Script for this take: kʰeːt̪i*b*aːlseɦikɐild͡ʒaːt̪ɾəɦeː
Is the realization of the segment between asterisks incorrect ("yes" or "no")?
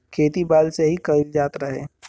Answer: no